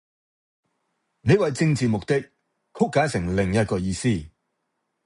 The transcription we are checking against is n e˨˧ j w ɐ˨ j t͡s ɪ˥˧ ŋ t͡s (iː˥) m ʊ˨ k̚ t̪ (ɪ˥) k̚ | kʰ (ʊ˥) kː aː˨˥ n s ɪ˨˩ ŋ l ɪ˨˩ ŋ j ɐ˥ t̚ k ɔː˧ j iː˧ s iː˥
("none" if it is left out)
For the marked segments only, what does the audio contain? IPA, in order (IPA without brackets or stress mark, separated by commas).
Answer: iː˨, ɪ˥, ʊ˥